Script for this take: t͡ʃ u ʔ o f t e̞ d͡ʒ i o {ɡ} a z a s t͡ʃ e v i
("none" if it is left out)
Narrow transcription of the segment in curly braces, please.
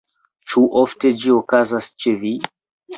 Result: k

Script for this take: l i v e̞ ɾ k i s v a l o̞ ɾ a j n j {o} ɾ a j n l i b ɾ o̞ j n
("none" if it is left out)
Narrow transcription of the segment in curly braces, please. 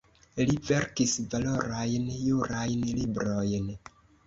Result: u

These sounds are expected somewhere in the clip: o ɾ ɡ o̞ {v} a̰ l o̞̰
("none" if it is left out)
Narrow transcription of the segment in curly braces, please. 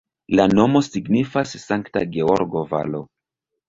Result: v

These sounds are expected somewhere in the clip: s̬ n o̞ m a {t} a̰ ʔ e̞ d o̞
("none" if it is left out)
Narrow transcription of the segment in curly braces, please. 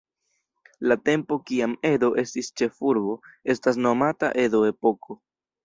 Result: t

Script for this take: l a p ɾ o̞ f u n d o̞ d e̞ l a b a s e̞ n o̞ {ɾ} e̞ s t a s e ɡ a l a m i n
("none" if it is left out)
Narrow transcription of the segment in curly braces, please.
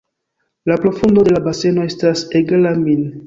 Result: none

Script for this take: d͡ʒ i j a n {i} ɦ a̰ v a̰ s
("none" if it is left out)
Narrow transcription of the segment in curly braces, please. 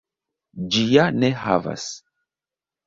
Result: e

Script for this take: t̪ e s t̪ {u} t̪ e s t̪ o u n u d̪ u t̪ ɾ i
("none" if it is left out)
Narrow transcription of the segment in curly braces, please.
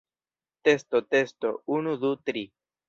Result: o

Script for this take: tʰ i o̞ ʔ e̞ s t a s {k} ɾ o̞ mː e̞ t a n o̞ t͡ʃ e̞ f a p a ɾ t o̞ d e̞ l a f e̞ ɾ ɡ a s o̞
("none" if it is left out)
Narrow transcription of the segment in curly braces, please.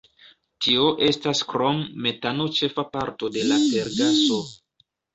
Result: k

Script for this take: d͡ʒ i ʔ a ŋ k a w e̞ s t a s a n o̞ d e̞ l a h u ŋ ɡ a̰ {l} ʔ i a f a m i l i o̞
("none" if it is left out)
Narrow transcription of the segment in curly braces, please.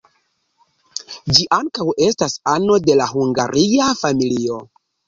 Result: ɾ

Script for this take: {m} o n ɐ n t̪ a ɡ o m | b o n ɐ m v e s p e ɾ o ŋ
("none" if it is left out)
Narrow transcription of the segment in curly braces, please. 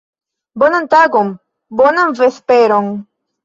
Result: b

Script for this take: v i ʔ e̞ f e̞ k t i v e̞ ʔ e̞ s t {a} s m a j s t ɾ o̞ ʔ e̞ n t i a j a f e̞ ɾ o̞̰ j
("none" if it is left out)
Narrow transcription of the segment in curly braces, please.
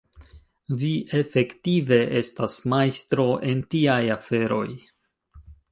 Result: a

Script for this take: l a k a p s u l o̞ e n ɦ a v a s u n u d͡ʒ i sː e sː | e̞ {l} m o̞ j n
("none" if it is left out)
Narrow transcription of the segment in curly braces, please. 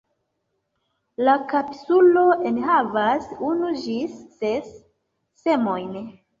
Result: none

